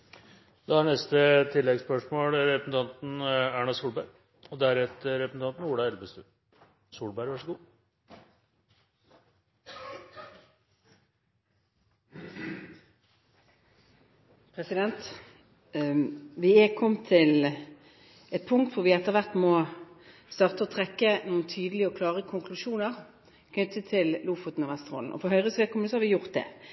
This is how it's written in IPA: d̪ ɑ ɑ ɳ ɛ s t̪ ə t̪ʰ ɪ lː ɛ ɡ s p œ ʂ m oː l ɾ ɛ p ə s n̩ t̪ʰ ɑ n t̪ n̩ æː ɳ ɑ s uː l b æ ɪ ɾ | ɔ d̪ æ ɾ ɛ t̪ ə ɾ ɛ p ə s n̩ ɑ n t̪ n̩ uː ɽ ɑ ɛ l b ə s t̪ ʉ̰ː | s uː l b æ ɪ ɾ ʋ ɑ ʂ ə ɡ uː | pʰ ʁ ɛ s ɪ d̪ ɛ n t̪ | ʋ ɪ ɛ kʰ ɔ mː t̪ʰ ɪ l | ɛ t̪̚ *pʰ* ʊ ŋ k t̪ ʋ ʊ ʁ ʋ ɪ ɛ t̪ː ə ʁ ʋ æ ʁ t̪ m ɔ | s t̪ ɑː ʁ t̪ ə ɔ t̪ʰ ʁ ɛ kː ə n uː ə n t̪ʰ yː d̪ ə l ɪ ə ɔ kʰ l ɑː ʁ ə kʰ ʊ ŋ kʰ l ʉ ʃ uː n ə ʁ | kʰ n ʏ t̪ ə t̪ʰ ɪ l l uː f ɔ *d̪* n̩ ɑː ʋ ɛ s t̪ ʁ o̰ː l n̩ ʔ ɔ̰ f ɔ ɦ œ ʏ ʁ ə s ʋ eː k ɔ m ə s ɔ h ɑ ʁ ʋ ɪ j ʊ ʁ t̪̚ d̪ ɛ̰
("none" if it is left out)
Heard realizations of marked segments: pʰ, t̪

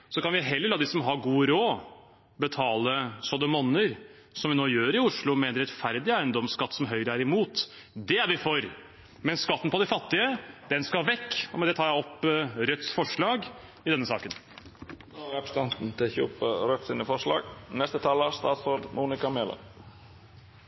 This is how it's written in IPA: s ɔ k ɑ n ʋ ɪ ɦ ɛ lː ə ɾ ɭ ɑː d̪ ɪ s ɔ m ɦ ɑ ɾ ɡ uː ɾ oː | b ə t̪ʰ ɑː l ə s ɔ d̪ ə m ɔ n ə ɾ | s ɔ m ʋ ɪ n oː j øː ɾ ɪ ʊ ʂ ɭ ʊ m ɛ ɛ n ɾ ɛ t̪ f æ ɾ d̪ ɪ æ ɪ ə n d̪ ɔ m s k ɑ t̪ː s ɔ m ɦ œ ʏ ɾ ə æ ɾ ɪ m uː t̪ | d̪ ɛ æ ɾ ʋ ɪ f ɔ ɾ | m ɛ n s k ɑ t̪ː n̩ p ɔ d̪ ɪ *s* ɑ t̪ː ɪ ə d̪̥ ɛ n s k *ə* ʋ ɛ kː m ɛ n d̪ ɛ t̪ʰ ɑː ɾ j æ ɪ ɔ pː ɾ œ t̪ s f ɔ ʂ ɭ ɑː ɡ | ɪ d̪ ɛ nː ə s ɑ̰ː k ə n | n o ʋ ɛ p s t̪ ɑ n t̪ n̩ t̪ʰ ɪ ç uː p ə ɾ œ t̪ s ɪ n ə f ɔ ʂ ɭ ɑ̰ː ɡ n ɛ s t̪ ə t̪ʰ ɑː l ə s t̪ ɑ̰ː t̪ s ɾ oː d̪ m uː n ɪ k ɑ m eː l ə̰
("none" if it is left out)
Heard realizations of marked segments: f, ɑ

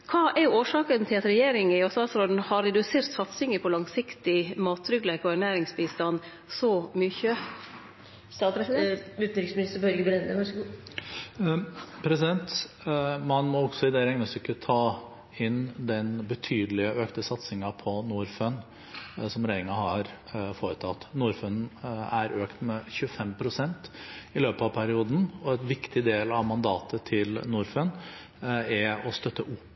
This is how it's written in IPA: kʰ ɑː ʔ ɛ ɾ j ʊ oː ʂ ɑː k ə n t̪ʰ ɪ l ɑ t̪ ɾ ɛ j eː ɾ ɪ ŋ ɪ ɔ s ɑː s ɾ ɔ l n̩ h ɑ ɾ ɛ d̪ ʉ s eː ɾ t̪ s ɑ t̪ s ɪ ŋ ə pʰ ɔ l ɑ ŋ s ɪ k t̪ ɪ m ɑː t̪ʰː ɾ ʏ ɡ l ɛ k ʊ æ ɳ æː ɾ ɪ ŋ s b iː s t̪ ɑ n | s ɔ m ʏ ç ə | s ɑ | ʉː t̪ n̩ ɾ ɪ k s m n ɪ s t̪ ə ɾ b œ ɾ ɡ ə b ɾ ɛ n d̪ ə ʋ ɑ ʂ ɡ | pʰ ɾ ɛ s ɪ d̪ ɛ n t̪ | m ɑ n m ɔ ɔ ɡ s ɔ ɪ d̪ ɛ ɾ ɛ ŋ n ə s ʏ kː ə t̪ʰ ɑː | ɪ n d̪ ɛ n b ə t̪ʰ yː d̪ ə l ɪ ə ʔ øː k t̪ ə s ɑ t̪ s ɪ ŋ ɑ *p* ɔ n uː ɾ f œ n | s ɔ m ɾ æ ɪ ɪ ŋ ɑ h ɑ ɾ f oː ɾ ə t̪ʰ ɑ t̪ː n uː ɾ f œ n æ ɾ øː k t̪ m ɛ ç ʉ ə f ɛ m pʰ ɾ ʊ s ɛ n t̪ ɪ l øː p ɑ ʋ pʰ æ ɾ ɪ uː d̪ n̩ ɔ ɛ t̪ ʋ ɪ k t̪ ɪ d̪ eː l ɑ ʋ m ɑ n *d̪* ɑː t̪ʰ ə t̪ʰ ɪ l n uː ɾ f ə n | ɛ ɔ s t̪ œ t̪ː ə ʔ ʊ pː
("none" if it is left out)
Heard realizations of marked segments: pʰ, d̪

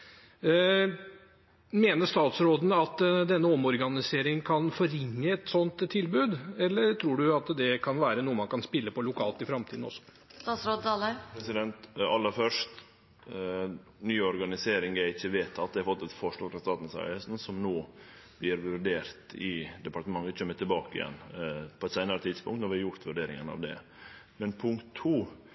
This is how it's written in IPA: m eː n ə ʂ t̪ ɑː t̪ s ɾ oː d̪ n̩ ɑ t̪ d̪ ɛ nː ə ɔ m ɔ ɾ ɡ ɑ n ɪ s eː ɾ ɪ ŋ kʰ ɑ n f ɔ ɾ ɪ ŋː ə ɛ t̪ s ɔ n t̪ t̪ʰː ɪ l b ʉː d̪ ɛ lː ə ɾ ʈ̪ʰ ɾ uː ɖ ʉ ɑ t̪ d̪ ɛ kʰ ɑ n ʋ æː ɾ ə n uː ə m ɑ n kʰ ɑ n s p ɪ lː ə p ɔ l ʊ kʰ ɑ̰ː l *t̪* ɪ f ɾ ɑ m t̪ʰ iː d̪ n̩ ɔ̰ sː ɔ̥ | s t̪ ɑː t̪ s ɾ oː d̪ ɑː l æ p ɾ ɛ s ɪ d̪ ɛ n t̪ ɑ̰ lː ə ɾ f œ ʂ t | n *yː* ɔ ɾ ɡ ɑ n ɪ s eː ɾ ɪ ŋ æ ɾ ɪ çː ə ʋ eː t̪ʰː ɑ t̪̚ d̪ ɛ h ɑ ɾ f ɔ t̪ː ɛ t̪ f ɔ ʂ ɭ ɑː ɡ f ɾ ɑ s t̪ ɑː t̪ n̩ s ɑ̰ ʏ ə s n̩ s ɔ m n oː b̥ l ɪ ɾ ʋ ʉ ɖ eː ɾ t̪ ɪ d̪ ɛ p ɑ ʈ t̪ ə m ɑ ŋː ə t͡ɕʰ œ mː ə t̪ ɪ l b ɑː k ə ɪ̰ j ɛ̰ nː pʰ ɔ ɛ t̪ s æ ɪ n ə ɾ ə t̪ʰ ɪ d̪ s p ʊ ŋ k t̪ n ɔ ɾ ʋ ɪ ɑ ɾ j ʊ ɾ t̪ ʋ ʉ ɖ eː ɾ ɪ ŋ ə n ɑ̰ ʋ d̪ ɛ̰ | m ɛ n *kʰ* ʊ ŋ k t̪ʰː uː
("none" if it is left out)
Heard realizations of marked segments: t̪, yː, pʰ

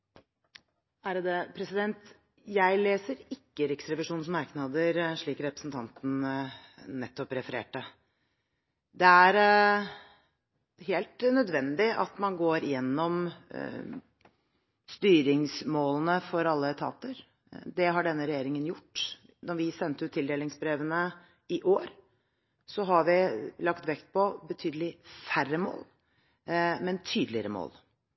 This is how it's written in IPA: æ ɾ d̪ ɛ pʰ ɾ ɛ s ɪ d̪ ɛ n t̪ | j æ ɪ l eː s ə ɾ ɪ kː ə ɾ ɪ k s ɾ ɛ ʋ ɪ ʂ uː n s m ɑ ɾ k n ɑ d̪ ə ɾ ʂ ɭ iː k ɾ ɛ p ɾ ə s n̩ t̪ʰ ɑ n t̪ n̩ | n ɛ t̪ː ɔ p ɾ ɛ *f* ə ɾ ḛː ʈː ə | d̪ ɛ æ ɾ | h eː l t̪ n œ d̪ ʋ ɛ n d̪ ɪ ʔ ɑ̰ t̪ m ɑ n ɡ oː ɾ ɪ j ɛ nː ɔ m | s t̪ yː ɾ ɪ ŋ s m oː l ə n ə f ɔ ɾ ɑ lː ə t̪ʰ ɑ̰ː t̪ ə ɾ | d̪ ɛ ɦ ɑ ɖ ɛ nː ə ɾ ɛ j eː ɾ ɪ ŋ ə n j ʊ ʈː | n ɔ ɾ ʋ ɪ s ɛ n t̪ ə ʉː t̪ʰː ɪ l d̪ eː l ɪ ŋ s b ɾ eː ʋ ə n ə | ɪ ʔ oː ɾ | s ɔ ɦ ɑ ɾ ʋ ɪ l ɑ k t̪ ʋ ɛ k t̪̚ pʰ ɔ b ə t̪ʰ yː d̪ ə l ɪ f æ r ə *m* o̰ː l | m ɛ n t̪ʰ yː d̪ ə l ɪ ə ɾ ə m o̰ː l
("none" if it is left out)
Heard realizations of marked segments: f, m

